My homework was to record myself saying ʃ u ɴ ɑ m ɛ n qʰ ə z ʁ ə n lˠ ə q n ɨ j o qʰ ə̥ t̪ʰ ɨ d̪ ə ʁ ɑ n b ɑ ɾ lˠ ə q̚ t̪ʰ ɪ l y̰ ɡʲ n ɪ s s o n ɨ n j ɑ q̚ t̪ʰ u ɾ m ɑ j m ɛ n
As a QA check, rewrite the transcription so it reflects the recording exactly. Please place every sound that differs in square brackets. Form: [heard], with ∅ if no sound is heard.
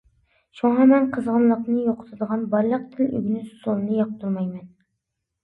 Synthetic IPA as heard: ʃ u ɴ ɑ m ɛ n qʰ ə z ʁ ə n lˠ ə q n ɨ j o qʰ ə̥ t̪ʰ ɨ d̪ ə ʁ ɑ n b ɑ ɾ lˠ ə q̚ t̪ʰ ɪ l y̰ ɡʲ n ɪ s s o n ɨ n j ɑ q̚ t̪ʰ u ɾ m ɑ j m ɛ n